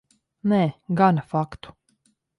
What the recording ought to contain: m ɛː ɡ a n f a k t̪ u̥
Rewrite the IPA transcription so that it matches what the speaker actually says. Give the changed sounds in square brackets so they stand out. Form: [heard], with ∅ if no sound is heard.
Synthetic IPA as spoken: [n] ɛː ɡ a n f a k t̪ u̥